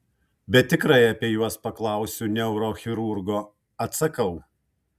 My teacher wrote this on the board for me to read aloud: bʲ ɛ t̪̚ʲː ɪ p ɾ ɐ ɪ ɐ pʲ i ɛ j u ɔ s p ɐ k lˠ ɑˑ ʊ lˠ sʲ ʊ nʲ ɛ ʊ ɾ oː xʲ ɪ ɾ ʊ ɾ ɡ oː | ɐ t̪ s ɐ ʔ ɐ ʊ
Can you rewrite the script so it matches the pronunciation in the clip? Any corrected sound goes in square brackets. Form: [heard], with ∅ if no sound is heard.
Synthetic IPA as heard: bʲ ɛ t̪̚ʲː ɪ [k] ɾ ɐ ɪ ɐ pʲ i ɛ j u ɔ s p ɐ k lˠ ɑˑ ʊ [∅] sʲ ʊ nʲ ɛ ʊ ɾ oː xʲ ɪ ɾ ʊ ɾ ɡ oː | ɐ t̪ s ɐ [k] ɐ ʊ